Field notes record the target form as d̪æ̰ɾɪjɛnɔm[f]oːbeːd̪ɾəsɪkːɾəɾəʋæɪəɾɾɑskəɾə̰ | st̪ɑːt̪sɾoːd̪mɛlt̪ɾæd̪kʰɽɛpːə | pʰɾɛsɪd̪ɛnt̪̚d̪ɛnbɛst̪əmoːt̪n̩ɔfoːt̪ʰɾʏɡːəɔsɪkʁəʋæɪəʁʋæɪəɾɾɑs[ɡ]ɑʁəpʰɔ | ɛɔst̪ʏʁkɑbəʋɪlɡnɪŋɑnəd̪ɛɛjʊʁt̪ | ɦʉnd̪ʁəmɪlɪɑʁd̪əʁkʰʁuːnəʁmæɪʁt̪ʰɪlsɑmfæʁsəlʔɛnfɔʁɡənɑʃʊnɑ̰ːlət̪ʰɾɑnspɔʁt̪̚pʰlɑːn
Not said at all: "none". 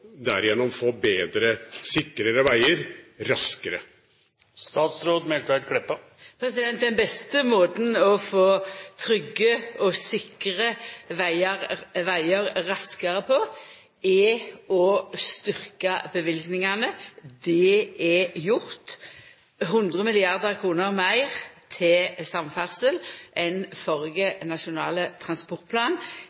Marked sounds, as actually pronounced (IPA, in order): f, k

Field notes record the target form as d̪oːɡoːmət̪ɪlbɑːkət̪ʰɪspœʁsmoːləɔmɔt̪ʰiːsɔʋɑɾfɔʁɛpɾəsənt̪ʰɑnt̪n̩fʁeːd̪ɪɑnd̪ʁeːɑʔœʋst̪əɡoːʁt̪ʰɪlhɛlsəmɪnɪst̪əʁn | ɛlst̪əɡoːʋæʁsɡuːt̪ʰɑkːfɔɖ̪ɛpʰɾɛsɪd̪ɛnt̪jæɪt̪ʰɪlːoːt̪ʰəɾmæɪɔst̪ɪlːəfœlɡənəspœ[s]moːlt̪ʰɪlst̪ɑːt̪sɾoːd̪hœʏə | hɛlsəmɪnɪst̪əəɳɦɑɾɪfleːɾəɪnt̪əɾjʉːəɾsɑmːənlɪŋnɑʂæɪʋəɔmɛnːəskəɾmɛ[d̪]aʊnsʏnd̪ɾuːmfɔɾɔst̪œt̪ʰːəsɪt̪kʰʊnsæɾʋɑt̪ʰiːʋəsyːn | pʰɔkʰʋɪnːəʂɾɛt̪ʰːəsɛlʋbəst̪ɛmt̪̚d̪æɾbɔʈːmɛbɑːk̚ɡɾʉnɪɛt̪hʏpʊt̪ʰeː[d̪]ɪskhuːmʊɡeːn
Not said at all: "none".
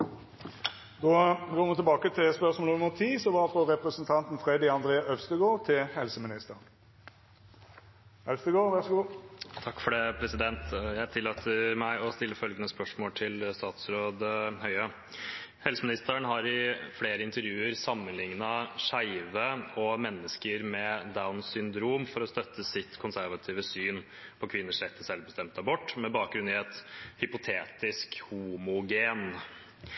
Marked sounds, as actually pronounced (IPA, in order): ʂ, d̪, t̪

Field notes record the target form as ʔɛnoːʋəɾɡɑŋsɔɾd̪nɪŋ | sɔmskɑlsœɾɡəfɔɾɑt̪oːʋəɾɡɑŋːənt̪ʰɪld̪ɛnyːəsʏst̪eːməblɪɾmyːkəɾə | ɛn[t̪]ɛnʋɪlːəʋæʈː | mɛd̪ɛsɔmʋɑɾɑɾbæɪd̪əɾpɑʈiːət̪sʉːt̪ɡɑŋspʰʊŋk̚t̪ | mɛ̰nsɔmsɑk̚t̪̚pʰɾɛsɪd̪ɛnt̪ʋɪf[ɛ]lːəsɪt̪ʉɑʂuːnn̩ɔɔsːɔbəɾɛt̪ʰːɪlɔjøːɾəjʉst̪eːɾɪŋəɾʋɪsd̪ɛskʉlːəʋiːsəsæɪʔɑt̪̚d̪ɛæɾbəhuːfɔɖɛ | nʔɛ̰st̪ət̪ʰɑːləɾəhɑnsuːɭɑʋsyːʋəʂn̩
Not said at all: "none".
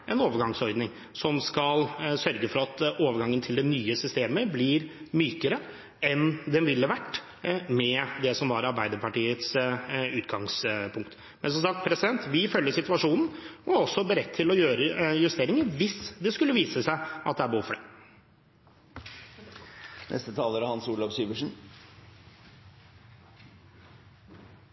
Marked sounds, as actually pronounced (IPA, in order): d̪, œ

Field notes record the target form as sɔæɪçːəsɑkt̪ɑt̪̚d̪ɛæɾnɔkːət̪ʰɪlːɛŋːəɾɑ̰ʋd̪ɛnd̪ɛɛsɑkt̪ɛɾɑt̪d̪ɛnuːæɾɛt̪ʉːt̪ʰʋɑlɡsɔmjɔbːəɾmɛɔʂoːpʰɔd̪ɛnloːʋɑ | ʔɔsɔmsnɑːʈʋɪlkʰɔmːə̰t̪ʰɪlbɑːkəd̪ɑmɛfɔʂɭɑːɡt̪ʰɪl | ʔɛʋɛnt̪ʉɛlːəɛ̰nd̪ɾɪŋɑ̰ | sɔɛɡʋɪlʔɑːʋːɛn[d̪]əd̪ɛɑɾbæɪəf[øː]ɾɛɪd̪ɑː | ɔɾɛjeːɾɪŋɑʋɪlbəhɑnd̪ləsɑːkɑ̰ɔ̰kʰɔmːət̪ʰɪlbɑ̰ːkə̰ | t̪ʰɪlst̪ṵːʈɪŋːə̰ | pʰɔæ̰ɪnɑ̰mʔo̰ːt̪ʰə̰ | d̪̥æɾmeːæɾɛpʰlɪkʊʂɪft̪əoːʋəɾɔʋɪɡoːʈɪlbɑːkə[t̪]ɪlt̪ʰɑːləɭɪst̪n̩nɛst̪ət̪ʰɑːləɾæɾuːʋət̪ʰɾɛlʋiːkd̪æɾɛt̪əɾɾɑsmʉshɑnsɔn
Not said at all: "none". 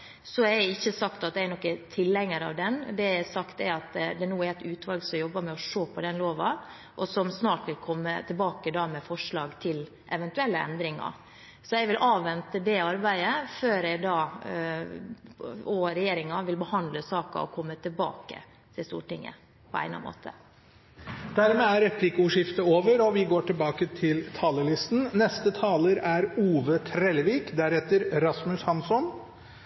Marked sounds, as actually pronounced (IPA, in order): t̪, øː, t̪ʰ

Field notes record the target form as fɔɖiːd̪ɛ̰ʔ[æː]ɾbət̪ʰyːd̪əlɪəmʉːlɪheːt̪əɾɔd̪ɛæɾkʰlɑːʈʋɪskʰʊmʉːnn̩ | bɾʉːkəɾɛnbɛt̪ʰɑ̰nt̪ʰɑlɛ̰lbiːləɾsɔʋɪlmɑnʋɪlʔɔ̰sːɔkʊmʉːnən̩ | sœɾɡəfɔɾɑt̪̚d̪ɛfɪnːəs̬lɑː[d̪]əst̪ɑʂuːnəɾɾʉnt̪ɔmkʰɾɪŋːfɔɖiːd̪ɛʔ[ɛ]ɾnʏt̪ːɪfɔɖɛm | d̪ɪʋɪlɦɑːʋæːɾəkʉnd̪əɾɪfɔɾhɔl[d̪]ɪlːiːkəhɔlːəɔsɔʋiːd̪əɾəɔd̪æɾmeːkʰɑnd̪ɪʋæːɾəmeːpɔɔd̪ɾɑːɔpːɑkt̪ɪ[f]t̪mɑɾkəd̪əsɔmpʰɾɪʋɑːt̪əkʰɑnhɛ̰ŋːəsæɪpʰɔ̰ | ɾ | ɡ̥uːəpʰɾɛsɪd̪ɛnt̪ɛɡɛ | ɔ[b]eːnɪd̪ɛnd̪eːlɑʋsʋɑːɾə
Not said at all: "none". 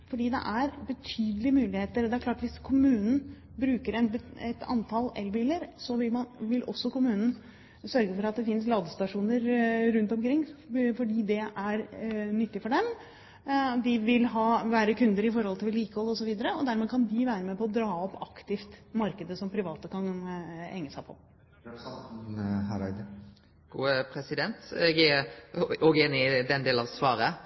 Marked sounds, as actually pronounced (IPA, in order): æ, d̪, æ, t̪, f, ɡ

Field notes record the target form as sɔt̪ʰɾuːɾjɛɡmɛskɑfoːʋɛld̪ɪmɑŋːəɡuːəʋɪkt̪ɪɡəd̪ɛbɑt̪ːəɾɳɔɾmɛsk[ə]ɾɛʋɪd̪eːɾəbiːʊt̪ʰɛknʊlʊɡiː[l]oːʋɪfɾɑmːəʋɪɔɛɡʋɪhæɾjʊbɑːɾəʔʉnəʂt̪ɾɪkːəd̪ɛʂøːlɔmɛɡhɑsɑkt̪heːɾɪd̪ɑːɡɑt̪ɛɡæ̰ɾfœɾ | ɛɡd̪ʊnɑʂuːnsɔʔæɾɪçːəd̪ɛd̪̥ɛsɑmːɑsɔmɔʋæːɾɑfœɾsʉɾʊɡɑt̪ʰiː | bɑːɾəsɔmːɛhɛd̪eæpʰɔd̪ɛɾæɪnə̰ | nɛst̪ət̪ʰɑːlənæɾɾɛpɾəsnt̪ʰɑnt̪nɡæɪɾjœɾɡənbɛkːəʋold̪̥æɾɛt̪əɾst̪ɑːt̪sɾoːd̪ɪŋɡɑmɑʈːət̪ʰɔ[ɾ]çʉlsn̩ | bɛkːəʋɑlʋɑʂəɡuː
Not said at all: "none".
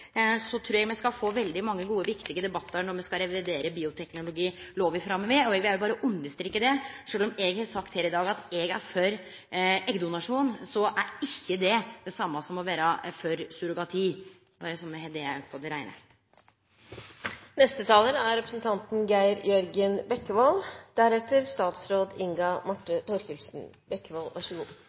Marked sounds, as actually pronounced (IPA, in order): ɑ, l, ɾ

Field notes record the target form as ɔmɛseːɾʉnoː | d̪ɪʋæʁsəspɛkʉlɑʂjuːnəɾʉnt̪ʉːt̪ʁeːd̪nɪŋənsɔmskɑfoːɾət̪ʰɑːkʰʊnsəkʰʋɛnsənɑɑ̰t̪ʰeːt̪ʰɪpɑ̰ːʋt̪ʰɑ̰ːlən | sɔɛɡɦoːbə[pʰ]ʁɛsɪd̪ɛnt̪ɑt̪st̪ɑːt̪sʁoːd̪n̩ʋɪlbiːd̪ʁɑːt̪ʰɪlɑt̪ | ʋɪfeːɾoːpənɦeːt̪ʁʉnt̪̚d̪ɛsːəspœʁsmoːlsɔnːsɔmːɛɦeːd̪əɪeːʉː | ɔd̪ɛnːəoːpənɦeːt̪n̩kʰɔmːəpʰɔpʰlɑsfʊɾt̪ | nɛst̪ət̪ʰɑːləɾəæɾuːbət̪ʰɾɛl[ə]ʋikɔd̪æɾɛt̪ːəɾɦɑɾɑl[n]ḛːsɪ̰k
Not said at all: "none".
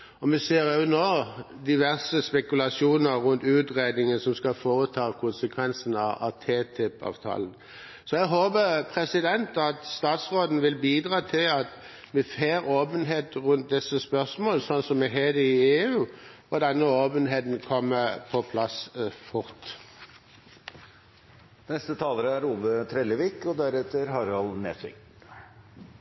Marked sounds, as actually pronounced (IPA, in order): pʰ, ə, n

